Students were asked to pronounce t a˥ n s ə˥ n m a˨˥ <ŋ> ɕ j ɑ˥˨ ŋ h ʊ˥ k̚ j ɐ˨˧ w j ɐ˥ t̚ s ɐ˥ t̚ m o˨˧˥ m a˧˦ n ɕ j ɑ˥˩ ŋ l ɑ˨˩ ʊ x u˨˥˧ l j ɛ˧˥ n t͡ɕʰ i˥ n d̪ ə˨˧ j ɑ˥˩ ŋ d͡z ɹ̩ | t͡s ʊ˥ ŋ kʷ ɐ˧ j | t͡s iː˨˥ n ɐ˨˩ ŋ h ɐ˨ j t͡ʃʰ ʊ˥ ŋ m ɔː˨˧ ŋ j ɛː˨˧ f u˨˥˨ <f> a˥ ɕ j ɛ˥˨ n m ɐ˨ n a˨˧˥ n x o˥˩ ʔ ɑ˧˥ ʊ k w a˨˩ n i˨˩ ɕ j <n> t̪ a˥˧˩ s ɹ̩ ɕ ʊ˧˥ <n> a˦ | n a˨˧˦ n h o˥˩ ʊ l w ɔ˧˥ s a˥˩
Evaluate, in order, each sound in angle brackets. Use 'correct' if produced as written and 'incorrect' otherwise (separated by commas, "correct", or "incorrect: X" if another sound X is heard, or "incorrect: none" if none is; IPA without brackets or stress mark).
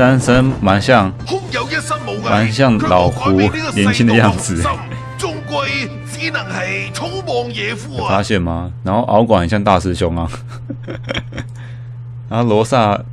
incorrect: n, correct, incorrect: ŋ, incorrect: ŋ